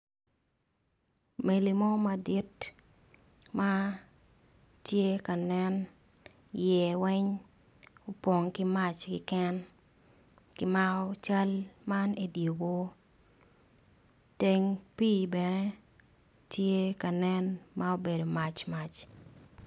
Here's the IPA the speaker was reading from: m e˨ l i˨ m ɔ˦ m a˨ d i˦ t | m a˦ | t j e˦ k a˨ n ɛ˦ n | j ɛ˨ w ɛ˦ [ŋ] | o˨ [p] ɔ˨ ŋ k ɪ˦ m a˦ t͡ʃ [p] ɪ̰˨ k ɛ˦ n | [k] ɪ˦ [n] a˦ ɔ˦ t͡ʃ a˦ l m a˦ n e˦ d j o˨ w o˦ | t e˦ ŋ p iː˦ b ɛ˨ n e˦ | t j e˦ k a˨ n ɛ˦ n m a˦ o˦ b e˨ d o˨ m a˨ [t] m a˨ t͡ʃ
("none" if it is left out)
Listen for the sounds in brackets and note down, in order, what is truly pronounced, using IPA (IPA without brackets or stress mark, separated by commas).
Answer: ɲ, p, k, k, m, t͡ʃ